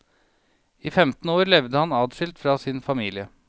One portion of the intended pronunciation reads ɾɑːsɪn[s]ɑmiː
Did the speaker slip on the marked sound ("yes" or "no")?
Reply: yes